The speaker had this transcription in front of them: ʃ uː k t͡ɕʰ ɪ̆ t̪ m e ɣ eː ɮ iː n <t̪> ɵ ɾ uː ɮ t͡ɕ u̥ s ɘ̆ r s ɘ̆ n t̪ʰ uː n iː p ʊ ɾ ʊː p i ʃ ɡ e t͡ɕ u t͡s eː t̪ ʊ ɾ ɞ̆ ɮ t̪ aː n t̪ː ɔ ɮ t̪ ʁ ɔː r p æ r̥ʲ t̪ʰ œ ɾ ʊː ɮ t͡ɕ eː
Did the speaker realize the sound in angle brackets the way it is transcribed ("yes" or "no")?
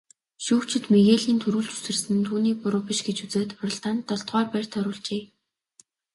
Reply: no